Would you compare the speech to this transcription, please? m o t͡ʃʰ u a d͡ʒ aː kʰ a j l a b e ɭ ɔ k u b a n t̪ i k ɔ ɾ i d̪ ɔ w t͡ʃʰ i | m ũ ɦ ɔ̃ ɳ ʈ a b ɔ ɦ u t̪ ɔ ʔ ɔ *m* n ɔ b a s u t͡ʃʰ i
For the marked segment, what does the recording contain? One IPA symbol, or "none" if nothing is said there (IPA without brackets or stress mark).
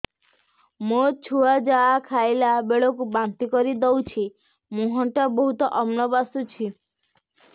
m